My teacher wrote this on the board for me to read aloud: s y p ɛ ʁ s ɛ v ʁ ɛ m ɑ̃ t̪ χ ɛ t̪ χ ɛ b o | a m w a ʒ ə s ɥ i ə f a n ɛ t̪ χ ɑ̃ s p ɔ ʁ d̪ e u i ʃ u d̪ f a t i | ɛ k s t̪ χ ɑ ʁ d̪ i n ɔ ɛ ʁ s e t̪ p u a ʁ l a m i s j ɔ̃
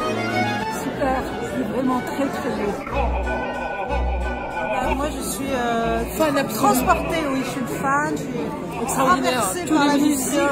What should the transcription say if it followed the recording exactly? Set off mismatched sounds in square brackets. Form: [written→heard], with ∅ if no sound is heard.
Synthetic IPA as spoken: s y p ɛ ʁ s ɛ v ʁ ɛ m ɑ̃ t̪ χ ɛ t̪ χ ɛ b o | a m w a ʒ ə s ɥ i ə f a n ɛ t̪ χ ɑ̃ s p ɔ ʁ [d̪→t̪] e [u→w] i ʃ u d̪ f a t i | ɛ k s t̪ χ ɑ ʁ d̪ i n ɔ ɛ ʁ s e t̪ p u a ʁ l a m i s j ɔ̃